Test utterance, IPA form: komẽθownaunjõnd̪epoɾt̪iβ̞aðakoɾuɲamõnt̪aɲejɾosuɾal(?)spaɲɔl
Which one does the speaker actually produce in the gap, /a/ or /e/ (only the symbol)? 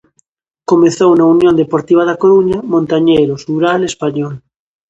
e